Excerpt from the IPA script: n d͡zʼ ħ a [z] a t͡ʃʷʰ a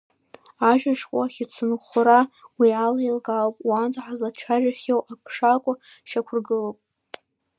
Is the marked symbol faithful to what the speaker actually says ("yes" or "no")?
yes